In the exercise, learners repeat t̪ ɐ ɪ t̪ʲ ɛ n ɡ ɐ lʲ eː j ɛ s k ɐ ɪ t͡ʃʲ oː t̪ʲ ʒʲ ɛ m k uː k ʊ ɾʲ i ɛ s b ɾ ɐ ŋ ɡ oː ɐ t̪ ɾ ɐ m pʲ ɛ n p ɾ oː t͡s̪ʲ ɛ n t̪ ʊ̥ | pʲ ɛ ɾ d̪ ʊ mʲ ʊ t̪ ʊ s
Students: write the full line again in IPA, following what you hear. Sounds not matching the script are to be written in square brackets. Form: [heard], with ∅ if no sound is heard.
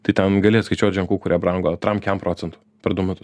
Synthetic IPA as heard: t̪ ɐ ɪ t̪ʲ ɛ n ɡ ɐ lʲ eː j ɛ s k ɐ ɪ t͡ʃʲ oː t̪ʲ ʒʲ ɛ [ŋ] k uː k ʊ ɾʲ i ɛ [∅] b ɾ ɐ ŋ ɡ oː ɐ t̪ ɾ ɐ m [kʲ] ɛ [m] p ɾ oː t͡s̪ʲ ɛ n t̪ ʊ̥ | pʲ ɛ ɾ d̪ ʊ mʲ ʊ t̪ ʊ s